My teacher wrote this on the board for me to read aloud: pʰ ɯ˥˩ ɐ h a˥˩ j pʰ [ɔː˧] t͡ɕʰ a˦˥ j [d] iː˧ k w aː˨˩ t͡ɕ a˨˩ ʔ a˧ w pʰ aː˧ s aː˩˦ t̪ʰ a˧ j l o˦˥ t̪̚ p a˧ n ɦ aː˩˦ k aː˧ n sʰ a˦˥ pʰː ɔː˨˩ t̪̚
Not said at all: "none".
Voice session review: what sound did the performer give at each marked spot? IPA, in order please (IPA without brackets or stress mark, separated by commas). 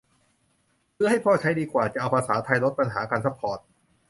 ɔː˥˩, d